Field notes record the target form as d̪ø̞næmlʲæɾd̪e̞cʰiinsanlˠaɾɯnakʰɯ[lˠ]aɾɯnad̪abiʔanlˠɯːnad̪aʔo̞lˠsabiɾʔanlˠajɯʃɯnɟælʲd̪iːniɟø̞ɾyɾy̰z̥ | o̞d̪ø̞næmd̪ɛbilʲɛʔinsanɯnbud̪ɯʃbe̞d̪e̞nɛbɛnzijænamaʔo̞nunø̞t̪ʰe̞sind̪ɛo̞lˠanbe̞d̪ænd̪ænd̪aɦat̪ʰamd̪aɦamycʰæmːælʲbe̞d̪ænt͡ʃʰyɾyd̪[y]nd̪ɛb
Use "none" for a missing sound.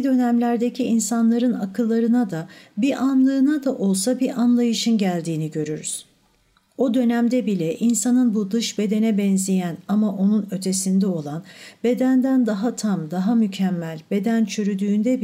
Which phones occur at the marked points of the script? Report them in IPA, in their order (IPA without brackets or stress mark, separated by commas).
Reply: lˠː, yː